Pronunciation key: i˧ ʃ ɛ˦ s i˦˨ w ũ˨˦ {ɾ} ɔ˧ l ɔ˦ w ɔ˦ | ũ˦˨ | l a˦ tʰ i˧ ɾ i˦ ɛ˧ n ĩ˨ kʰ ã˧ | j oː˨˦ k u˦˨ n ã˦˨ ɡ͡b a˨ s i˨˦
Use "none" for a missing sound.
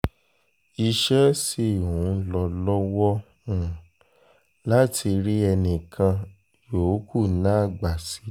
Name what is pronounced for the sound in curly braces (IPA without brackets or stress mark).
l